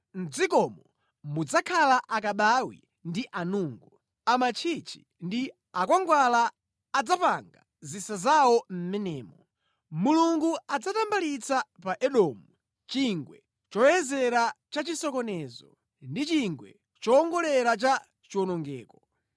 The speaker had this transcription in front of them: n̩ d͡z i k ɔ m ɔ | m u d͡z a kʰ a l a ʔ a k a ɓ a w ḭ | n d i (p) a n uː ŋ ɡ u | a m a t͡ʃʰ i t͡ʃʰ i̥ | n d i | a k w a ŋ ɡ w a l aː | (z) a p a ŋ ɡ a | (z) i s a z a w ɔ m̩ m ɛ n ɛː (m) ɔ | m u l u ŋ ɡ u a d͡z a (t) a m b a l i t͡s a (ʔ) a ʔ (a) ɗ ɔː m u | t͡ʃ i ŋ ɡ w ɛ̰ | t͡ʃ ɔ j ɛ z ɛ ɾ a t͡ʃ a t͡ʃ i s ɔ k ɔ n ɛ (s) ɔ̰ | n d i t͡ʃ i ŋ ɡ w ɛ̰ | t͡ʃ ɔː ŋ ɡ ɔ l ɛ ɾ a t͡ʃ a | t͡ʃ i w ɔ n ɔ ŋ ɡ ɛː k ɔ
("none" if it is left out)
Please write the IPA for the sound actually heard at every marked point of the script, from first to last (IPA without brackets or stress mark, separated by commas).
ʔ, d͡z, z, m, t, p, ɛ, z